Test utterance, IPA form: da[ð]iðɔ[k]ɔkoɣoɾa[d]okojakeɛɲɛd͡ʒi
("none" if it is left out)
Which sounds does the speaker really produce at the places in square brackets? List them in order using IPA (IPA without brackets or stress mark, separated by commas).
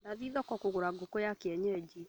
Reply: ð, k, ɡ